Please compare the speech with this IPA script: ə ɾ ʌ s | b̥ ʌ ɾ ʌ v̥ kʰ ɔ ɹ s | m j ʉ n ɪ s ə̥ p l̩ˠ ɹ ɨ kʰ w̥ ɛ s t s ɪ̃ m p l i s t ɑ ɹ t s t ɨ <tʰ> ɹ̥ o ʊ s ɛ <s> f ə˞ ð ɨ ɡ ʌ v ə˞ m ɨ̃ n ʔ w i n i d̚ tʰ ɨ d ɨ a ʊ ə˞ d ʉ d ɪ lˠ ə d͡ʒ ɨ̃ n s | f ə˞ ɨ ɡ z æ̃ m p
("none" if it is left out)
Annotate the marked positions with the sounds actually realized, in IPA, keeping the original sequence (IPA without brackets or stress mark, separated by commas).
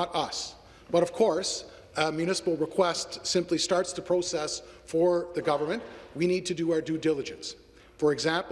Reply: pʰ, s